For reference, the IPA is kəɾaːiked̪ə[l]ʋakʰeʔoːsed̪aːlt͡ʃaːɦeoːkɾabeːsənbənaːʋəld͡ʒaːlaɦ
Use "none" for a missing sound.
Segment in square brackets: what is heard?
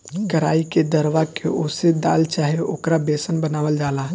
ɾ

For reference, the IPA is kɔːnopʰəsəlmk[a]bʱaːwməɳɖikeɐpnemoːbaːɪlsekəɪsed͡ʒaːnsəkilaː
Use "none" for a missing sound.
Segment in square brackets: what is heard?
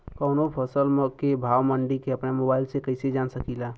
e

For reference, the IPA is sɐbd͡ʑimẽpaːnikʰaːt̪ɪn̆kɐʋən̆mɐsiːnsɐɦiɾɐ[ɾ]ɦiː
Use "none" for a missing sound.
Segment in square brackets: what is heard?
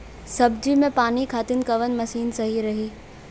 none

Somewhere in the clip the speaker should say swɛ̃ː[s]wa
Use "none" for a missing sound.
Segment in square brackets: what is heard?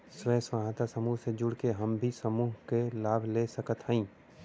s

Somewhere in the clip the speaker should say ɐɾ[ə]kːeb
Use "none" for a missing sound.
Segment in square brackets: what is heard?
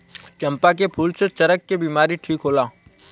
ə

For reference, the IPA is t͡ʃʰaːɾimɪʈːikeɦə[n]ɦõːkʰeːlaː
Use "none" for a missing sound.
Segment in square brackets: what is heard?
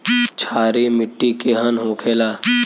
n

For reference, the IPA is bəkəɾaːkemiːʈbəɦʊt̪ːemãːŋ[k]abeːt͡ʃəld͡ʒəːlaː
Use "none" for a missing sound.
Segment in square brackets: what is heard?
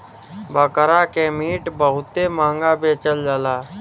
ɡ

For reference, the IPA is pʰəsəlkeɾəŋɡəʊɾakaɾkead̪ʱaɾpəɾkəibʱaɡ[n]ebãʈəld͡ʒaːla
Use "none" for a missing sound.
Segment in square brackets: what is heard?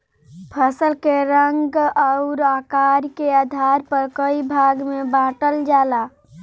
m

